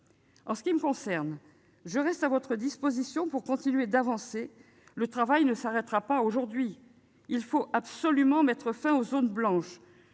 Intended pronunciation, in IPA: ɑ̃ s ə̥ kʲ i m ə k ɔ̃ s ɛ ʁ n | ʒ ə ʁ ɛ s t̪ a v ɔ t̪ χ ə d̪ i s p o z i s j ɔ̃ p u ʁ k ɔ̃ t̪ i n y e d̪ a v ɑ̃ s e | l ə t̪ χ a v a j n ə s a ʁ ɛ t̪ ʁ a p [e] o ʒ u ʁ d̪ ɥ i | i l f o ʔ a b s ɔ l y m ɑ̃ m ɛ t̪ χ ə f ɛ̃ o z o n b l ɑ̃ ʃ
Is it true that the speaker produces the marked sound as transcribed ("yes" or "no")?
no